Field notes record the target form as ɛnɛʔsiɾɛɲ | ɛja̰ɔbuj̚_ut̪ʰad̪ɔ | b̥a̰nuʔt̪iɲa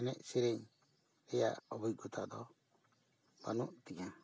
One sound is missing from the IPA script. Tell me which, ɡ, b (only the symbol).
ɡ